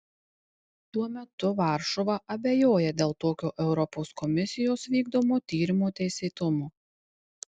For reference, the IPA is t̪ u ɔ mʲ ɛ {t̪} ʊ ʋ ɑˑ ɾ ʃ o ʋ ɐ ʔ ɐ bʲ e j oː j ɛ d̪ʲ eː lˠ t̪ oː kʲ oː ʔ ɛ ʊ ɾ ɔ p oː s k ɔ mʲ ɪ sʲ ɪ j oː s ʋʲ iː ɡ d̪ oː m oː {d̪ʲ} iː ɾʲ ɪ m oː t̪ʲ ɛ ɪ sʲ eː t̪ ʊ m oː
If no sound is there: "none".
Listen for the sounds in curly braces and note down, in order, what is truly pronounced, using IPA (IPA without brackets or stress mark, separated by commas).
t̪, t̪ʲ